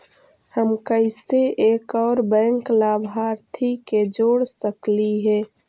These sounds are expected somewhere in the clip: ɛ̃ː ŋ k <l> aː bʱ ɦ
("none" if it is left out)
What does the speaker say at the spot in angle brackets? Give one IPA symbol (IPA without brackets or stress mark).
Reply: l